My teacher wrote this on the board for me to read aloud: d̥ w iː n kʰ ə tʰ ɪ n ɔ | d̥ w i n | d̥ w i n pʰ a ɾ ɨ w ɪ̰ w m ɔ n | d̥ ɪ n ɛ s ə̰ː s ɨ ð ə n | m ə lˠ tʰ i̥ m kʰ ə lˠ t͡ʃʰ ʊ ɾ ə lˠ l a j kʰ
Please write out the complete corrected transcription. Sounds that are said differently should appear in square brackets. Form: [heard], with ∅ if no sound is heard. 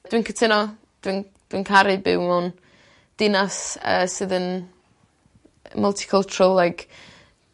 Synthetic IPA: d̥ w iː n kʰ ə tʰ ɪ n ɔ | d̥ w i n | d̥ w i n [kʰ] a ɾ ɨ [b] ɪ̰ w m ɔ n | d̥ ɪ n [a] s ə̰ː s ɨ ð ə n | m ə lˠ tʰ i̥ [∅] kʰ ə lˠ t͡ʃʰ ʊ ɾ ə lˠ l a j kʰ